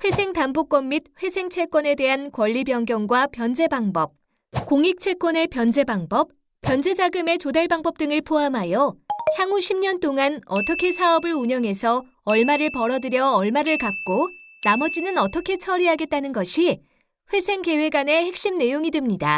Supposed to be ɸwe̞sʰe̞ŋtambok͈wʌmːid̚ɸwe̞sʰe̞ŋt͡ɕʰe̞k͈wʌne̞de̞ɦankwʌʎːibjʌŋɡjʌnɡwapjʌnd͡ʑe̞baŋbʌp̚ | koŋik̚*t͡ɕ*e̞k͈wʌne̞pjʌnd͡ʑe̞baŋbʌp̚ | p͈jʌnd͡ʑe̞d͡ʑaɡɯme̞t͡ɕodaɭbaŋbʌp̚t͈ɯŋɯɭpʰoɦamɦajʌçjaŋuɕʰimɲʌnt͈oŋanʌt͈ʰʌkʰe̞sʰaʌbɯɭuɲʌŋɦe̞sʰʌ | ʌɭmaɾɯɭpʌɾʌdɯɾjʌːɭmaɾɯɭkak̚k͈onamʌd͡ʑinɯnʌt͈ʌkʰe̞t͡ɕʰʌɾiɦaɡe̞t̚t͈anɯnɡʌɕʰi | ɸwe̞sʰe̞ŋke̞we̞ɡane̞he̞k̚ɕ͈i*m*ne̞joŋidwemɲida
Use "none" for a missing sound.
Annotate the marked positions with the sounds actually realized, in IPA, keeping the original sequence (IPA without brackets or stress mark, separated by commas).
t͡ɕʰ, m